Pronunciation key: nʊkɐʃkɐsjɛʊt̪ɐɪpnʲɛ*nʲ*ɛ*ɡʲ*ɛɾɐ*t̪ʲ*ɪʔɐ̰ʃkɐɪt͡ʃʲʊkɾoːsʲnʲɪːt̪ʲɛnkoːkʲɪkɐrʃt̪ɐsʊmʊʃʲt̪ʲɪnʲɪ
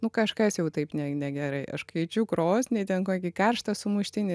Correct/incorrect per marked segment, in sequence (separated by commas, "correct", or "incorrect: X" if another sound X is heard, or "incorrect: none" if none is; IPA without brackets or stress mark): correct, correct, incorrect: none